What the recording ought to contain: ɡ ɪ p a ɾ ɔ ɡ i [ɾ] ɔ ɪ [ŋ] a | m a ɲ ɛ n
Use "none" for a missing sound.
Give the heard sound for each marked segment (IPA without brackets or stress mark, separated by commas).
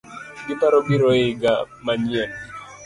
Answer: ɾ, ɡ